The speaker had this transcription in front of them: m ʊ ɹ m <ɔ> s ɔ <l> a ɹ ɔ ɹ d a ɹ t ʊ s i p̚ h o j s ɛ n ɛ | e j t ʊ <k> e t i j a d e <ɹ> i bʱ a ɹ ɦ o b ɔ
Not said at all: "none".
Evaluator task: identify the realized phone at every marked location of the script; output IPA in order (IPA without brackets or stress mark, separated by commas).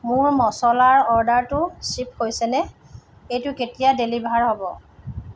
ɔ, l, k, l